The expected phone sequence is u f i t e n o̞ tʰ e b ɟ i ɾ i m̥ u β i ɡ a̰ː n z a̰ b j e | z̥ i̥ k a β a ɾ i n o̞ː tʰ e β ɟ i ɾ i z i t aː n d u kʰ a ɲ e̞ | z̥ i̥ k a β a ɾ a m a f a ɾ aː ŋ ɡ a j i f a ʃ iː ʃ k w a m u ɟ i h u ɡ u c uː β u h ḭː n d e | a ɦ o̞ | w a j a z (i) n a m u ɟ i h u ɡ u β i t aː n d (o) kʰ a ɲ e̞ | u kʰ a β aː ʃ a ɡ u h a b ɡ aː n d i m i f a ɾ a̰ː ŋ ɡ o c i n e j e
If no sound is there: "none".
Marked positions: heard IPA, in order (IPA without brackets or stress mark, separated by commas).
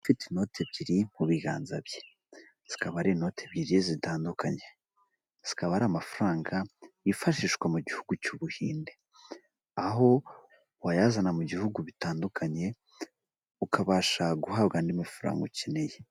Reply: a, u